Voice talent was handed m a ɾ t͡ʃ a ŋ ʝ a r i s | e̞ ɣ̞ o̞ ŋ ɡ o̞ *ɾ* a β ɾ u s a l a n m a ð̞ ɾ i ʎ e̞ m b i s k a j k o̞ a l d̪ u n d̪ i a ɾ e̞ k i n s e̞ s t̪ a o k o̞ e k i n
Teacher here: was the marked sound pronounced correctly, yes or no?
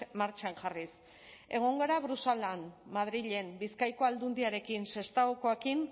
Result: yes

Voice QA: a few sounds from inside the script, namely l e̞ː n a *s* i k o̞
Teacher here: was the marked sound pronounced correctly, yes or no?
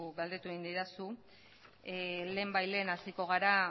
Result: yes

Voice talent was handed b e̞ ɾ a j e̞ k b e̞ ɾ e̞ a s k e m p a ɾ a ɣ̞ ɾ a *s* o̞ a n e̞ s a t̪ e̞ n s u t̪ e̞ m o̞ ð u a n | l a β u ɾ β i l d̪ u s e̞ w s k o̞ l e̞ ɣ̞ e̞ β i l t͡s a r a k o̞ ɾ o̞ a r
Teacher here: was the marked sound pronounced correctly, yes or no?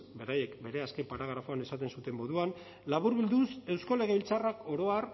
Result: no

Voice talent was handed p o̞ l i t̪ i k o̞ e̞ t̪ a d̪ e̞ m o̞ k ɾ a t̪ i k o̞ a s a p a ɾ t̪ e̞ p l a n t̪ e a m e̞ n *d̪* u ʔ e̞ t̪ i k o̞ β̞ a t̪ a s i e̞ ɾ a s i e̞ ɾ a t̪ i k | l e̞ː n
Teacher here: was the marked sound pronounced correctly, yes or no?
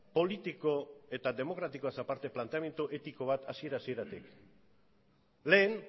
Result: no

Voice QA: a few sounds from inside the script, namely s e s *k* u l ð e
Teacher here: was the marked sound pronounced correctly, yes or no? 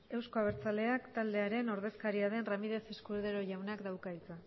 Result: yes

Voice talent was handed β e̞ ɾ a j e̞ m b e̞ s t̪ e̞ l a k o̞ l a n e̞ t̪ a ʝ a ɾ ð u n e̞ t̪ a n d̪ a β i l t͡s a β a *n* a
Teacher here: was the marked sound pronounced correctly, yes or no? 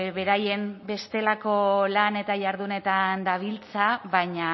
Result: no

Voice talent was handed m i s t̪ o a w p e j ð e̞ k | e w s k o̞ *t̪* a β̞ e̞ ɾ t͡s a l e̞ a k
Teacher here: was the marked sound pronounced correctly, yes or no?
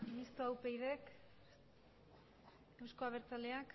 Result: no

